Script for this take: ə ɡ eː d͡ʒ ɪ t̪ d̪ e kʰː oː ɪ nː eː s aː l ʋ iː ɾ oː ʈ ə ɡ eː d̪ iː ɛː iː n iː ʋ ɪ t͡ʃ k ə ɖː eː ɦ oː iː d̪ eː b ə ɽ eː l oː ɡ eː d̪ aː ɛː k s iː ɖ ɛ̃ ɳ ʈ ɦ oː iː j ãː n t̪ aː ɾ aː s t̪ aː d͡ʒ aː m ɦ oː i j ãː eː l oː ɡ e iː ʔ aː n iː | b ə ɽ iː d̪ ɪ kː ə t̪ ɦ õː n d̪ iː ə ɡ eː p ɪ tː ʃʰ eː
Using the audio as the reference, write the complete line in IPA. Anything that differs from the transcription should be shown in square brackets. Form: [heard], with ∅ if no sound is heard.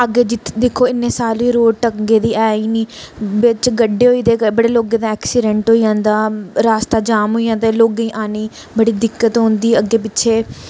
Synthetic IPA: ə ɡ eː d͡ʒ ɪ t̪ d̪ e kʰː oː ɪ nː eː s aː l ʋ iː ɾ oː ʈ ə ɡ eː d̪ iː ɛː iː n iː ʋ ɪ t͡ʃ [ɡ] ə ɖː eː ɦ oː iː d̪ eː b ə ɽ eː l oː ɡ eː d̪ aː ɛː k s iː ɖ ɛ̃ ɳ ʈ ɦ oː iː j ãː n [d̪] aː ɾ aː s t̪ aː d͡ʒ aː m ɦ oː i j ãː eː l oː ɡ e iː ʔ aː n iː | b ə ɽ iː d̪ ɪ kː ə t̪ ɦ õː n d̪ iː ə ɡ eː p ɪ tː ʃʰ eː